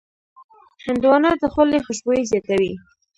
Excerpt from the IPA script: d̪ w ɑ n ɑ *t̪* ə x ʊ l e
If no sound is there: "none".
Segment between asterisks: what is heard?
d̪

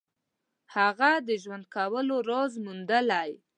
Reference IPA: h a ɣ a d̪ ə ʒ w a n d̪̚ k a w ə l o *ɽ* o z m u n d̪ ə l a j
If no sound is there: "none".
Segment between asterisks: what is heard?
ɾ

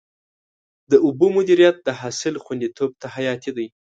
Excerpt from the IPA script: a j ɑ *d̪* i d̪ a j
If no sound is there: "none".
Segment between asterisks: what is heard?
t̪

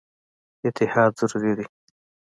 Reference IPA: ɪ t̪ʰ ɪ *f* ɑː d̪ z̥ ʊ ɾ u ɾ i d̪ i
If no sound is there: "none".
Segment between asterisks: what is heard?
h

